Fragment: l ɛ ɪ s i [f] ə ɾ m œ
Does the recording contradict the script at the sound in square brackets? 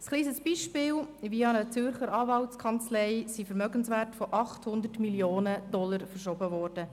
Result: no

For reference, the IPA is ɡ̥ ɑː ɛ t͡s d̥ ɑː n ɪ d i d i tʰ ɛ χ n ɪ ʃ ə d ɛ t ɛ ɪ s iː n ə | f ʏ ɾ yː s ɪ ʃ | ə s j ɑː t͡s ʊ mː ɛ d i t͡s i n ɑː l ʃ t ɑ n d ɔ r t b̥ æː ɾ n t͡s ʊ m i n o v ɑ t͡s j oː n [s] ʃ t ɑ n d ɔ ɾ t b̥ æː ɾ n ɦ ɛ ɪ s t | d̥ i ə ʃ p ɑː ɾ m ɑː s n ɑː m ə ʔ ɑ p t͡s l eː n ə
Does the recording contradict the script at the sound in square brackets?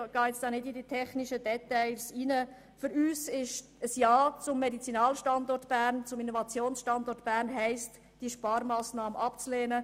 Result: no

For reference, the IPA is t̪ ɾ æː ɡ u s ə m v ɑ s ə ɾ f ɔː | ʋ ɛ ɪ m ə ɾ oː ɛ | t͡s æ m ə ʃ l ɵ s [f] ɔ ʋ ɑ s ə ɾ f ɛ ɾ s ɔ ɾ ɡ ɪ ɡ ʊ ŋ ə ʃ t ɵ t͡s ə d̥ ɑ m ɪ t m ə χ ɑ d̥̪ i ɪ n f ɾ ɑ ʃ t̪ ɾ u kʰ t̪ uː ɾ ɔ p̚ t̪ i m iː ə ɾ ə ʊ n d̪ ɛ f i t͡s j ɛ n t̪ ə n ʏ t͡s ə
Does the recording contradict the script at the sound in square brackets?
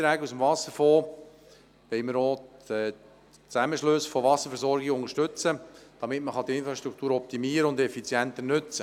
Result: no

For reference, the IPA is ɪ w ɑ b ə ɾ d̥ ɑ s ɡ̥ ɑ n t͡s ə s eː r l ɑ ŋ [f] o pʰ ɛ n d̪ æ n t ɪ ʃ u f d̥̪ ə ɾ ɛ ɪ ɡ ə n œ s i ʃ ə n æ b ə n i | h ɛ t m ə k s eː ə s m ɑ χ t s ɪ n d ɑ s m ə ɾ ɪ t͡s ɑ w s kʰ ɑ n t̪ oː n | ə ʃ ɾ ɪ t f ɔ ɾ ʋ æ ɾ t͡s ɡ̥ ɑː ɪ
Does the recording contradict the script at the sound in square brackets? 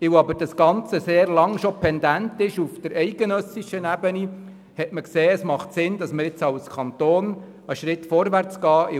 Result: yes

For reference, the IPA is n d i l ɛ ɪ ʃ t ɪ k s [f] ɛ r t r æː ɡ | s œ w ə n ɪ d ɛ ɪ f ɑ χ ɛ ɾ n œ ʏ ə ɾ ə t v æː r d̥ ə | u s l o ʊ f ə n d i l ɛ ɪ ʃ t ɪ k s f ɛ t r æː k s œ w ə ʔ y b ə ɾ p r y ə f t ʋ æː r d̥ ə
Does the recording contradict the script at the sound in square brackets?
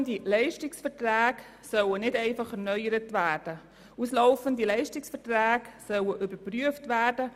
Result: no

